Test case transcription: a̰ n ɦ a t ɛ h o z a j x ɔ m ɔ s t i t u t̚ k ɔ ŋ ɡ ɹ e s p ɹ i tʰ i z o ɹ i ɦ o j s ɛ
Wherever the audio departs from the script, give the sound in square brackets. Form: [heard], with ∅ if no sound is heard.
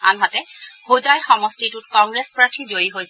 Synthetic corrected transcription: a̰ n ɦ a t ɛ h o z a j x ɔ m ɔ s t i t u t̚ k ɔ ŋ ɡ ɹ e s p ɹ [a] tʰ i z o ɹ i ɦ o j s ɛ